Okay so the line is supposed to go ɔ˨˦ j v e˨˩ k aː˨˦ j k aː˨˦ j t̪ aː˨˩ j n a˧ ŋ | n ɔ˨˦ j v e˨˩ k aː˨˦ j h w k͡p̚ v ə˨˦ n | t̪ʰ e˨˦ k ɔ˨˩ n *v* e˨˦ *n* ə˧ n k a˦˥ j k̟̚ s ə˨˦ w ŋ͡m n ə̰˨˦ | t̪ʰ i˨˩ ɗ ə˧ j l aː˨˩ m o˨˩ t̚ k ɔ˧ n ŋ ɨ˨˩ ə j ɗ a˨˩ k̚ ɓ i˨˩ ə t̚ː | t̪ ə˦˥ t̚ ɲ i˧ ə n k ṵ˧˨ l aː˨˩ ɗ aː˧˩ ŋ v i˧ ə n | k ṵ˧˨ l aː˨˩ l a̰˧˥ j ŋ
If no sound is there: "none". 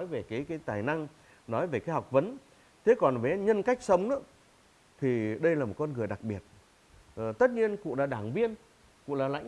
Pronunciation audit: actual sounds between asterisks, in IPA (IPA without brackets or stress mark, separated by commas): v, ɲ